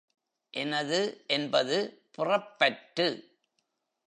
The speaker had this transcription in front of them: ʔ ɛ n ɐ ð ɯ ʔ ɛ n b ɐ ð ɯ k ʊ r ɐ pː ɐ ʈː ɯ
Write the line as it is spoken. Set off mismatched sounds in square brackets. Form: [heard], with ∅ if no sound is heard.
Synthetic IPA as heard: ʔ ɛ n ɐ ð ɯ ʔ ɛ n b ɐ ð ɯ [p] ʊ r ɐ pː ɐ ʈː ɯ

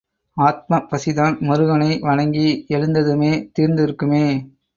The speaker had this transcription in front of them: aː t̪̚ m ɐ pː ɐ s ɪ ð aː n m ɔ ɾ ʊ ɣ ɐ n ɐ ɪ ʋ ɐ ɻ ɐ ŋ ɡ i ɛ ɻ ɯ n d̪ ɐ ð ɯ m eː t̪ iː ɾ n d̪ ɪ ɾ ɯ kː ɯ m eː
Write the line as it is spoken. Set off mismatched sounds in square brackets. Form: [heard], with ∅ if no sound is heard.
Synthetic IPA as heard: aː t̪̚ m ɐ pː ɐ s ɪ ð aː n m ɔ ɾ [ɯ] ɣ ɐ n ɐ ɪ ʋ ɐ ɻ ɐ ŋ ɡ i ɛ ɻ ɯ n d̪ ɐ ð ɯ m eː t̪ iː ɾ n d̪ ɪ ɾ ɯ kː ɯ m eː

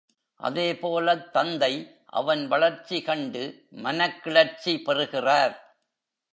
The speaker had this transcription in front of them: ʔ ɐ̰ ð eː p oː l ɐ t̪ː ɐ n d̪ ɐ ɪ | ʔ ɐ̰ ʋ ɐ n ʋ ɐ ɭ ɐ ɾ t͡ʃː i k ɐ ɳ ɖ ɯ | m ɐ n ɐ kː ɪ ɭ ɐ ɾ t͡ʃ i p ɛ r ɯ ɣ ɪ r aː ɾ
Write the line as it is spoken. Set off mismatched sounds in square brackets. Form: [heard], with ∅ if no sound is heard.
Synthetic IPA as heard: ʔ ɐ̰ ð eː p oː l ɐ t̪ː ɐ n d̪ ɐ ɪ | ʔ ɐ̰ ʋ ɐ n ʋ ɐ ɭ ɐ ɾ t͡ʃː i k ɐ ɳ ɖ ɯ | m ɐ n ɐ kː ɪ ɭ ɐ ɾ t͡ʃ i p ɛ r ɯ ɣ ɪ r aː ɾ

